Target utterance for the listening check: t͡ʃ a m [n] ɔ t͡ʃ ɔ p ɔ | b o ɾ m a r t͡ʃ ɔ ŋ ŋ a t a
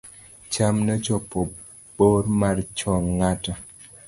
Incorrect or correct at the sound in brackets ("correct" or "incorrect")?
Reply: correct